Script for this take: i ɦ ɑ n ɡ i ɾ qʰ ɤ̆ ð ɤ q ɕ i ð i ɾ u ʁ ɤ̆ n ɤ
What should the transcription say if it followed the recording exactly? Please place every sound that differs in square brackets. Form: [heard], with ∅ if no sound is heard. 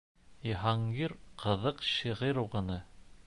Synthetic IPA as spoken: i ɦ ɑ [ŋ] ɡ i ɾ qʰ ɤ̆ ð ɤ q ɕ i [ʁ] i ɾ u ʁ ɤ̆ n ɤ